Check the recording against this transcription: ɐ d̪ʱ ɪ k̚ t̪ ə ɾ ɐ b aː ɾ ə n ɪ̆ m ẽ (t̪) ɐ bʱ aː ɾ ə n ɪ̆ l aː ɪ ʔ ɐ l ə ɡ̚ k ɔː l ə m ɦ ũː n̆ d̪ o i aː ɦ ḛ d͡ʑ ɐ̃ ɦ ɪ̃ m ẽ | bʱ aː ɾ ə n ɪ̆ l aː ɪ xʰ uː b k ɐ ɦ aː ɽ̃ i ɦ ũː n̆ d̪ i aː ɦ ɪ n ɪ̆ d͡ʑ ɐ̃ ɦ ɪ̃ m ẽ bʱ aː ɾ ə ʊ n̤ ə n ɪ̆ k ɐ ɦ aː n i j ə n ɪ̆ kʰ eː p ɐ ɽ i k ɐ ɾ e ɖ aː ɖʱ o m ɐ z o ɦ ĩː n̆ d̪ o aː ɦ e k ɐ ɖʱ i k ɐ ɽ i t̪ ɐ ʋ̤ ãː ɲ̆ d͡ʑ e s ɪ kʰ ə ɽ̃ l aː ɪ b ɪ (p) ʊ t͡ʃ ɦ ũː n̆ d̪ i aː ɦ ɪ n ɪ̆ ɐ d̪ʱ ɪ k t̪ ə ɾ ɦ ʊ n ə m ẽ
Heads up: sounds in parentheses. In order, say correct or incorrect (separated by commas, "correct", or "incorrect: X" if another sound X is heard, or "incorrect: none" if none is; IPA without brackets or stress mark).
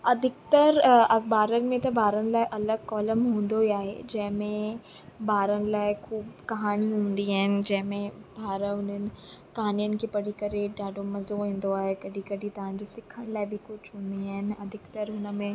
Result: correct, incorrect: k